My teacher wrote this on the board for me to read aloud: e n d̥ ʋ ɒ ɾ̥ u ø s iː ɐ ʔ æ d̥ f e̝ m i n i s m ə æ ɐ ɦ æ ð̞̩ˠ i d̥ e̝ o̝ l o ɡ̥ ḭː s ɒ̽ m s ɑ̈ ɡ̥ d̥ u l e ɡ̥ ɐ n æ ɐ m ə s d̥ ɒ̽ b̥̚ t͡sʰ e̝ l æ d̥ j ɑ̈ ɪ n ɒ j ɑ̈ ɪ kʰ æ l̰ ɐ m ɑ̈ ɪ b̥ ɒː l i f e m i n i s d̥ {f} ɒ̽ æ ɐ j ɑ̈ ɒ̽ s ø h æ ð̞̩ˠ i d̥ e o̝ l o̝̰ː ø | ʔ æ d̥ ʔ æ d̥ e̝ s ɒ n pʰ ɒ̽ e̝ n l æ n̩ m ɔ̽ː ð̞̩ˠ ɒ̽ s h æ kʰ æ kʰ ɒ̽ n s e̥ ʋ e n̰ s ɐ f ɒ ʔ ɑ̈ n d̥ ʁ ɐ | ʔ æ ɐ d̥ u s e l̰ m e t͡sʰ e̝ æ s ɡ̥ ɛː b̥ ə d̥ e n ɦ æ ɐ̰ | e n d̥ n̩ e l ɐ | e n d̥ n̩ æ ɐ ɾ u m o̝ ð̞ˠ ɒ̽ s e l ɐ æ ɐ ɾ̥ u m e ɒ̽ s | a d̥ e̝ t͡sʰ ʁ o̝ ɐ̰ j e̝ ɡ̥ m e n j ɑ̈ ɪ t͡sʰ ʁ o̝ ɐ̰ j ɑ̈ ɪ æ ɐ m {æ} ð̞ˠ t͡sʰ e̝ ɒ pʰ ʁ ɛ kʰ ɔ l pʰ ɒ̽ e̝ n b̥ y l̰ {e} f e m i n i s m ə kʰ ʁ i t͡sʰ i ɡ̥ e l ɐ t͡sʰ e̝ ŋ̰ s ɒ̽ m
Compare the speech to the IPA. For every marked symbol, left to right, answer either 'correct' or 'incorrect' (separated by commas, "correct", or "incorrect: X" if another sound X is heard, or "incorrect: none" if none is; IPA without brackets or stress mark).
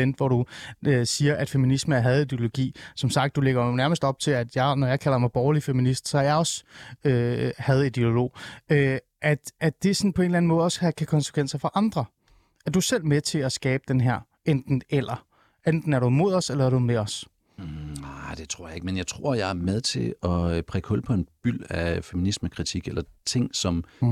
incorrect: s, incorrect: e, incorrect: æ